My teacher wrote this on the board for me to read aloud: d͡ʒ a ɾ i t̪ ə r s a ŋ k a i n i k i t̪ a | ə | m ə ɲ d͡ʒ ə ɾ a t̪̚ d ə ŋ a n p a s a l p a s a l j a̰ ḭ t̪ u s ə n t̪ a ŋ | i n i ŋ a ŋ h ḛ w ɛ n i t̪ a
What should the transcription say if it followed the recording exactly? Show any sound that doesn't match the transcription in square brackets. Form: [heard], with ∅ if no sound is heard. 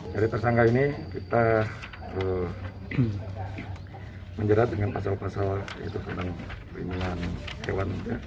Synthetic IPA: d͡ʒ a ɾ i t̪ ə r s a ŋ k a i n i k i t̪ a | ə | m ə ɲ d͡ʒ ə ɾ a t̪̚ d ə ŋ a n p a s a l p a s a l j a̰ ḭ t̪ u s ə n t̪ a ŋ | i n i ŋ a [n] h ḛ w [a] n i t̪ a